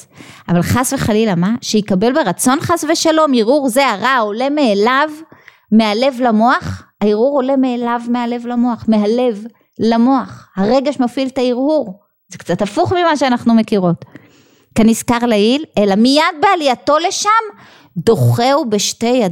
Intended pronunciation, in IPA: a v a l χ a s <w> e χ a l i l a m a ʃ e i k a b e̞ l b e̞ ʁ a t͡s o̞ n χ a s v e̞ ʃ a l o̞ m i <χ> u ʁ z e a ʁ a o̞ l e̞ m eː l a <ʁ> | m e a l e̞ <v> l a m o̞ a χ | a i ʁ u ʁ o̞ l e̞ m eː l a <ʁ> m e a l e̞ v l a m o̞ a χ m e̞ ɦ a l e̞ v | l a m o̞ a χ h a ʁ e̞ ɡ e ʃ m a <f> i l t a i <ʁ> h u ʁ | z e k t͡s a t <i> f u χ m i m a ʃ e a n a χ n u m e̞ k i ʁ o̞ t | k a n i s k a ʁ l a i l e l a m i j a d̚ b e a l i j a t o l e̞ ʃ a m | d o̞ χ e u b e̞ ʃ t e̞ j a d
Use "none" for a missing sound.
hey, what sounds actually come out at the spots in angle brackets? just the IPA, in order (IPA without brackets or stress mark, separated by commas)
v, ʁ, v, v, v, f, ʁ, a